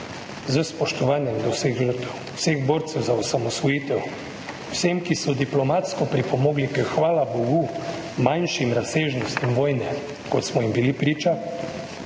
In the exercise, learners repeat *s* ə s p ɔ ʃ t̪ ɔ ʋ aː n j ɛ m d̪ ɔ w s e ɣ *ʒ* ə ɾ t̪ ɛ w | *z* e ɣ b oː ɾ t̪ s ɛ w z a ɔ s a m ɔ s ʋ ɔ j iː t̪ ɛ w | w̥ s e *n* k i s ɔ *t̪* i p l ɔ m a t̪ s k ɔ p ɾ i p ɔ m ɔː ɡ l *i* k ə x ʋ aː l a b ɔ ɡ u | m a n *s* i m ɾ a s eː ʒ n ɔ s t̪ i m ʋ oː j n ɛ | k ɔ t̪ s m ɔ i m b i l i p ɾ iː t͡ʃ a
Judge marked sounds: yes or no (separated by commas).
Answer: no, yes, no, no, no, yes, no